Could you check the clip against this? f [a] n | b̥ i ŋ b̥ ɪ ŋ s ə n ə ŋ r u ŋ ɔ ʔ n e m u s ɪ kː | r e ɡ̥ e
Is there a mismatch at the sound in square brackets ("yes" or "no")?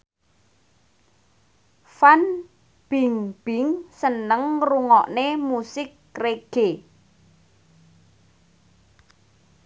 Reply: no